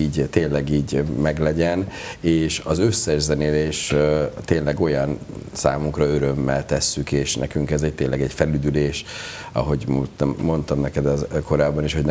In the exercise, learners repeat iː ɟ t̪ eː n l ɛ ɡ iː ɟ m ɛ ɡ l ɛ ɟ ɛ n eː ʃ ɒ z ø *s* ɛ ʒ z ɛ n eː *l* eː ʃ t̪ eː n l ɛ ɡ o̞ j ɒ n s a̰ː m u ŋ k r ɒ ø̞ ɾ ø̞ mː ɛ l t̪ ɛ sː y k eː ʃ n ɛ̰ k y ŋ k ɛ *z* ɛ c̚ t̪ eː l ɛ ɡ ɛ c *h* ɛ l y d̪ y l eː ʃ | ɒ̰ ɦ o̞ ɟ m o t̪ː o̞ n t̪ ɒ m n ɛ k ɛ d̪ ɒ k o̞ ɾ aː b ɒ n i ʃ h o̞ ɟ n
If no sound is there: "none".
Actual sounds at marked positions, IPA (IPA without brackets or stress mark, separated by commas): sː, l, z, f